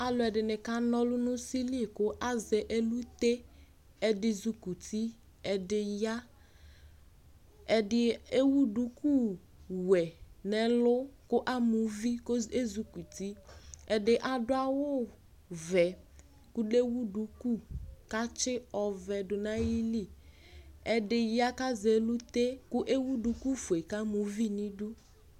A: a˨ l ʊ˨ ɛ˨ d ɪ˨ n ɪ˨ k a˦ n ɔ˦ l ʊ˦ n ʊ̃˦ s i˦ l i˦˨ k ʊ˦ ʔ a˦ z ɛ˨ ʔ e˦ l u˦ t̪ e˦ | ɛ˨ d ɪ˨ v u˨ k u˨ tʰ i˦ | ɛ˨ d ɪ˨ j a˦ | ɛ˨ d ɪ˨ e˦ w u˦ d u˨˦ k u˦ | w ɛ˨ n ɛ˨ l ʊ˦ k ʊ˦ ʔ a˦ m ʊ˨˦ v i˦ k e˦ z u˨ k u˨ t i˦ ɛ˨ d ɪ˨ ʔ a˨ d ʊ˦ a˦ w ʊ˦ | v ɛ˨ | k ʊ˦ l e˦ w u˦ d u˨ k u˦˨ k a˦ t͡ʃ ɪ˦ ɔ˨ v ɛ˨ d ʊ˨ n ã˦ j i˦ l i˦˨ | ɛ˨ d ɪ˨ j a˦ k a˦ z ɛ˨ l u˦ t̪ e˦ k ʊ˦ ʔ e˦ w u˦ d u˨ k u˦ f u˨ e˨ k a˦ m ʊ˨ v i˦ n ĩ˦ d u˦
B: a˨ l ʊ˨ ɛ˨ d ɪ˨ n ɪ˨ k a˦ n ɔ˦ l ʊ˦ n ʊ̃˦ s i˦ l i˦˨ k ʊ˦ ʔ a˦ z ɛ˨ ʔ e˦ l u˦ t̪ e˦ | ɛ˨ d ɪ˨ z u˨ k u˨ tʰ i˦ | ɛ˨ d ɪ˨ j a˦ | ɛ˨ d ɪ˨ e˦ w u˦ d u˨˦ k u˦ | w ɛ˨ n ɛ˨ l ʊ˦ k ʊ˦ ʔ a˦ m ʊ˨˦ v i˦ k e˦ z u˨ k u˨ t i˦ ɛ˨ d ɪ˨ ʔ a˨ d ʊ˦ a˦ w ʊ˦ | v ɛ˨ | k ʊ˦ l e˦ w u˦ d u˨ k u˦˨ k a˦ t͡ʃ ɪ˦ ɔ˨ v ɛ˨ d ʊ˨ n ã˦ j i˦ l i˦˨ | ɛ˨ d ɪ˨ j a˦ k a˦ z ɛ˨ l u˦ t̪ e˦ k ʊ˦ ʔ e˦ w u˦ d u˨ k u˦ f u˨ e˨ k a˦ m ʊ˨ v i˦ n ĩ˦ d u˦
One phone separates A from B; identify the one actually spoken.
B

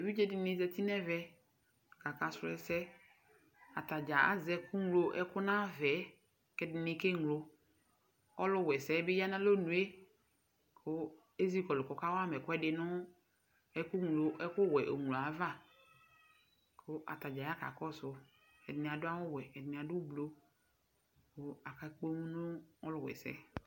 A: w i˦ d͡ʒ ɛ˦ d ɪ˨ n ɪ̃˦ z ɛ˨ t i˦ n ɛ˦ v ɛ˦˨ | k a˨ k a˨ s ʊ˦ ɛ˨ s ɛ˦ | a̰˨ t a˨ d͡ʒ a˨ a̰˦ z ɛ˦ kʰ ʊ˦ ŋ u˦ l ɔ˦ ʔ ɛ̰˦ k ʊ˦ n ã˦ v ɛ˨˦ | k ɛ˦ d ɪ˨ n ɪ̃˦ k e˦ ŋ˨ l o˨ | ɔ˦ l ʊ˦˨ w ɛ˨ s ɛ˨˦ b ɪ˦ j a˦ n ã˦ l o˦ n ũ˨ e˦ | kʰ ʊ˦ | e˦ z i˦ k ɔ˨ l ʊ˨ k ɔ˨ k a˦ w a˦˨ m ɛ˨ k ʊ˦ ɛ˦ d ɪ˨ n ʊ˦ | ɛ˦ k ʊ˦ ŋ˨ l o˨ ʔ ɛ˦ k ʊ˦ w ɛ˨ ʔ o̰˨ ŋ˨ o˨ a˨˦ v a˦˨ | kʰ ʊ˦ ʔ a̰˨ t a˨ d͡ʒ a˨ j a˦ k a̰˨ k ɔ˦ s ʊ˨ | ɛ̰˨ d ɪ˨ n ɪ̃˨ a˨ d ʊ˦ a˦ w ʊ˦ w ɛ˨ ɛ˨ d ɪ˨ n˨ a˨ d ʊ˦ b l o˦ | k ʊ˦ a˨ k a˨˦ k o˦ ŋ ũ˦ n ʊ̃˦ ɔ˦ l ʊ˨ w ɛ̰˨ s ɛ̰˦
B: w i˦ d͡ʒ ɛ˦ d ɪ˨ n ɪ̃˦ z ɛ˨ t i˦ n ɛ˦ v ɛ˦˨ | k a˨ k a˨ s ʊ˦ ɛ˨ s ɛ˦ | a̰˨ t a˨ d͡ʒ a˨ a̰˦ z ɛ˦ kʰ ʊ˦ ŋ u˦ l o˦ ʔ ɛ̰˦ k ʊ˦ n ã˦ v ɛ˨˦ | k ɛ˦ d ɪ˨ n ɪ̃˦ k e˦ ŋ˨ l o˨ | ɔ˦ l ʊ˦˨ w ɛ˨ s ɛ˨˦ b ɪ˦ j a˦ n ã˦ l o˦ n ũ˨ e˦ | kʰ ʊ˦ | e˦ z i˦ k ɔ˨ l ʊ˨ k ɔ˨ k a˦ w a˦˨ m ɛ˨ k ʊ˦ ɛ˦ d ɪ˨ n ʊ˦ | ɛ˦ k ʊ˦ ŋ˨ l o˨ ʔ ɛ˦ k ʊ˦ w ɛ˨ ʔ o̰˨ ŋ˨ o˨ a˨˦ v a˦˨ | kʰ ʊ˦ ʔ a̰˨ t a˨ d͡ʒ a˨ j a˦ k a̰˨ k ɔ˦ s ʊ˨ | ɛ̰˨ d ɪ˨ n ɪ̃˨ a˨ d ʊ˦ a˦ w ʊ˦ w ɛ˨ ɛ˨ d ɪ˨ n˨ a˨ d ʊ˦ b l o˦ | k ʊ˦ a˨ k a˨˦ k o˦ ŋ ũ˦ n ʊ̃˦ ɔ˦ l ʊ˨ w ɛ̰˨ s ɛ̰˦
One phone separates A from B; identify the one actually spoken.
B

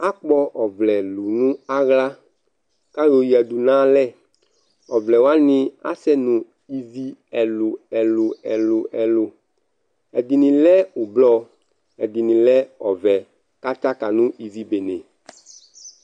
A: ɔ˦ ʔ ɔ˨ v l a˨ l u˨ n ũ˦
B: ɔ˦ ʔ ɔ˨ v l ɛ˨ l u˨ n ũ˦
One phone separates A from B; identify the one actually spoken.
B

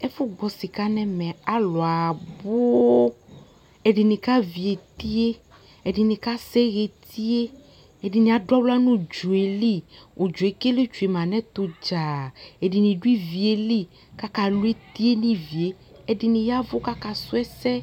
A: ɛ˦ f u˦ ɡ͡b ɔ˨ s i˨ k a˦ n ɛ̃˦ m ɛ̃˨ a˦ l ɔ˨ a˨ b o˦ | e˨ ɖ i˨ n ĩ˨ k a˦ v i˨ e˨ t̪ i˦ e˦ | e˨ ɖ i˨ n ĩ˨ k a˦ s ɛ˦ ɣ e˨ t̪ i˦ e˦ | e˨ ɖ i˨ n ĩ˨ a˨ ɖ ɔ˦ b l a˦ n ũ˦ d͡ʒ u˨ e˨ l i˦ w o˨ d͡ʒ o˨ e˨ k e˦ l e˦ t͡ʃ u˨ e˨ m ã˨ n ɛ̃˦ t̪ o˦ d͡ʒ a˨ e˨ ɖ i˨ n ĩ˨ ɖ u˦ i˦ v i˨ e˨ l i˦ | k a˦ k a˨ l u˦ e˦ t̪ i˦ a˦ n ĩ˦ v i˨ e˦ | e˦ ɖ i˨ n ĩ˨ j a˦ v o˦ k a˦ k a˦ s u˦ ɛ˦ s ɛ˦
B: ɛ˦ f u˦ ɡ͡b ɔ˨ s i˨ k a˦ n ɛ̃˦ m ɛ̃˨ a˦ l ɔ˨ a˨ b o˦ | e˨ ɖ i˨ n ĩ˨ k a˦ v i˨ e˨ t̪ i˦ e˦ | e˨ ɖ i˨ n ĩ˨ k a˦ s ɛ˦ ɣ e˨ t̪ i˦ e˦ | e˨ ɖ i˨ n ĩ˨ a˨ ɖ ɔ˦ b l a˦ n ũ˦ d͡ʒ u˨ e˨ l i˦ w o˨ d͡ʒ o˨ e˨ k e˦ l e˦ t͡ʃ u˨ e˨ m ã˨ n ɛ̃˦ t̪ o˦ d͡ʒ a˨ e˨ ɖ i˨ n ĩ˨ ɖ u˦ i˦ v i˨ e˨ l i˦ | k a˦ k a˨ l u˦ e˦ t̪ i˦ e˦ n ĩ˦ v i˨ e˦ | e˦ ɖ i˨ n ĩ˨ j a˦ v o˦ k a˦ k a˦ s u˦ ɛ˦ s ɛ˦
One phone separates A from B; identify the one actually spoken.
B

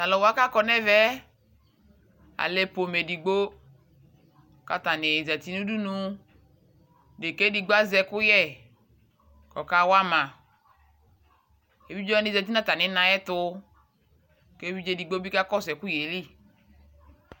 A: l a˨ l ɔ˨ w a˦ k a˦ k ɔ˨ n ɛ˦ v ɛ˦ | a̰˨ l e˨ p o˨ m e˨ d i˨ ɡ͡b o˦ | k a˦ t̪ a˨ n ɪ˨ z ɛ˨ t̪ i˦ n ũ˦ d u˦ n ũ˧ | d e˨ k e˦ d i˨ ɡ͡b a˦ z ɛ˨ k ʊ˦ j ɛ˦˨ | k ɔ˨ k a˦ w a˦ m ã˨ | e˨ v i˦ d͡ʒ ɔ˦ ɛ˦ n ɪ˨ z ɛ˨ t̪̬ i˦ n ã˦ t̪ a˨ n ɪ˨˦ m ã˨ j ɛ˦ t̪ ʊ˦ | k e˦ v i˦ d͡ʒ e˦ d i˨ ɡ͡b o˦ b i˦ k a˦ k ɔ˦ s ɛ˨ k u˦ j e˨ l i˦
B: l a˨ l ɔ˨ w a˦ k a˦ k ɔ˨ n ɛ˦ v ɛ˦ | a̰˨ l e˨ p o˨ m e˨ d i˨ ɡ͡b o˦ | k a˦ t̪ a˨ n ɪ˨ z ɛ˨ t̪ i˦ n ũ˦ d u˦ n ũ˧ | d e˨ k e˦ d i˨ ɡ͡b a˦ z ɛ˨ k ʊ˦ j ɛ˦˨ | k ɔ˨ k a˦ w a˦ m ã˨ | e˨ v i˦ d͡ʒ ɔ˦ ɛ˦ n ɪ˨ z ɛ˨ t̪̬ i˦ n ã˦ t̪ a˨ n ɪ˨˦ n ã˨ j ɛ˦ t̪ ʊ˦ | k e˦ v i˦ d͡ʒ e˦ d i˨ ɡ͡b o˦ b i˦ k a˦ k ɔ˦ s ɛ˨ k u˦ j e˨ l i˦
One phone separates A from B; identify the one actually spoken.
B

